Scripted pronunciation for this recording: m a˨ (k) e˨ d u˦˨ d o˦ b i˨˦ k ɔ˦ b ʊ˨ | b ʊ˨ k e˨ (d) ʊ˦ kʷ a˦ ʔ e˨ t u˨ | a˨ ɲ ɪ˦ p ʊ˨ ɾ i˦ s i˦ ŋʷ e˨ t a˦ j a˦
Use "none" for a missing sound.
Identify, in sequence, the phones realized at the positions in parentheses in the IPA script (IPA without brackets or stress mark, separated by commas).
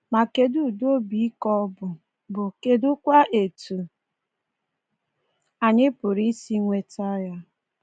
k, d